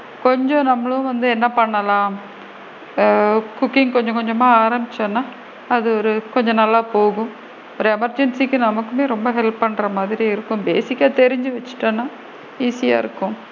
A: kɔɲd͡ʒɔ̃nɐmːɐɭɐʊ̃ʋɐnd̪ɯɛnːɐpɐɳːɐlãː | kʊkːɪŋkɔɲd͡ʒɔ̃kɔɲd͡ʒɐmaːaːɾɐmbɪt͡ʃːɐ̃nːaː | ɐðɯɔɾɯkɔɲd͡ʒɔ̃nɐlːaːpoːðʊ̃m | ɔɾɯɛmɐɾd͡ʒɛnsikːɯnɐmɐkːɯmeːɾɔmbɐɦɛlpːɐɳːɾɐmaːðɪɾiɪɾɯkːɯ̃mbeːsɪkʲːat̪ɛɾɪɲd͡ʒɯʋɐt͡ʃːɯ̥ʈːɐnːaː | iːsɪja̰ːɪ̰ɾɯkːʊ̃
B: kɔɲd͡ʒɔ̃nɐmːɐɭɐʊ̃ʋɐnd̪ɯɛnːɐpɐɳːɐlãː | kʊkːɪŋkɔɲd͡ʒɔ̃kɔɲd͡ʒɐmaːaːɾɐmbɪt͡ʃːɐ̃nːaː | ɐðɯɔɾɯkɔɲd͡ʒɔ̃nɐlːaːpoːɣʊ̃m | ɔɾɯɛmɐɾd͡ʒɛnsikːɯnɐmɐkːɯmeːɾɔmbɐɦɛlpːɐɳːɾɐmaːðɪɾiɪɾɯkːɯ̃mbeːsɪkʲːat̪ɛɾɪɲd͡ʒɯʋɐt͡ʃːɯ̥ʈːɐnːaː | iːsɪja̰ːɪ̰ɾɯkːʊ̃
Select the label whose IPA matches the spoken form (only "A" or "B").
B